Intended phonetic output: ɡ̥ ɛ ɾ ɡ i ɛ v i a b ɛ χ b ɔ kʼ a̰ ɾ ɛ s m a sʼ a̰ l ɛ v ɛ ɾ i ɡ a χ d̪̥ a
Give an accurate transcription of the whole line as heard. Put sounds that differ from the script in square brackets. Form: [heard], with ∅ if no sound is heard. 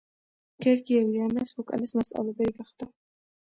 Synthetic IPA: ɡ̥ ɛ ɾ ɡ i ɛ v i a [m] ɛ [s] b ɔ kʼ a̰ [l] ɛ s m a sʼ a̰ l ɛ [b] ɛ ɾ i ɡ a χ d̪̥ a